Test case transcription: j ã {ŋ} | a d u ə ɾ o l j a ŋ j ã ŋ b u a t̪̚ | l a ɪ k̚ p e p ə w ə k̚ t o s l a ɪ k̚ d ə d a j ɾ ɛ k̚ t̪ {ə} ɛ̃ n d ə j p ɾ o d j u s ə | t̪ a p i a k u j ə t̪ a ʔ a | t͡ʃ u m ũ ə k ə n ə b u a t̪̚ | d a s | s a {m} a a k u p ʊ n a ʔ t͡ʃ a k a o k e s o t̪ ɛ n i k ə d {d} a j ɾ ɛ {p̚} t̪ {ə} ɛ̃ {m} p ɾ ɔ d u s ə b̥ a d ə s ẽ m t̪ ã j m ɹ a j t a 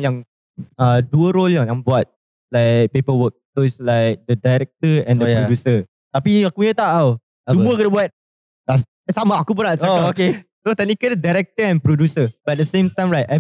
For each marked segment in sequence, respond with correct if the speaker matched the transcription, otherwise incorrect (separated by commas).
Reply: correct, correct, correct, correct, incorrect, correct, incorrect